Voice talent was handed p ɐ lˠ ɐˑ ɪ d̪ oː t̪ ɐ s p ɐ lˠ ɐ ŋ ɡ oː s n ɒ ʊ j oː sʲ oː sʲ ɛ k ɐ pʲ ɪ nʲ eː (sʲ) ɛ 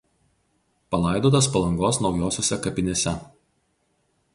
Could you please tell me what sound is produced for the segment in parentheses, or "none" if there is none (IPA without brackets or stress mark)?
sʲ